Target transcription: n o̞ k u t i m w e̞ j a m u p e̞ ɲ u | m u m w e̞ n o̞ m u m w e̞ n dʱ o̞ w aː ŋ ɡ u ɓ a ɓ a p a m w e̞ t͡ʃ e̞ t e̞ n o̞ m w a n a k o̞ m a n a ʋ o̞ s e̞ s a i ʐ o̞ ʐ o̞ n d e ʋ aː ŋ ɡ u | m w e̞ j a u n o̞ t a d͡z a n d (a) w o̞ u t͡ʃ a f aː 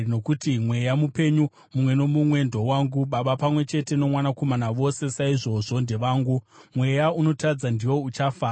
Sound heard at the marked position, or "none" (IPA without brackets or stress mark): i